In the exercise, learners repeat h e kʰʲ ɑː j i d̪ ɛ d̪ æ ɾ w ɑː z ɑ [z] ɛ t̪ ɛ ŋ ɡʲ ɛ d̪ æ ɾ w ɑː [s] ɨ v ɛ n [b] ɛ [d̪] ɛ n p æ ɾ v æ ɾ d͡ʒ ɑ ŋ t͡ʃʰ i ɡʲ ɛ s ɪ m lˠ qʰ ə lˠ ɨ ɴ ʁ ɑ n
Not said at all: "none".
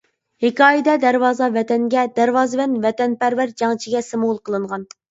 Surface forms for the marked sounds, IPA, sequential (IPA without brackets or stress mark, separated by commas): v, z, v, t̪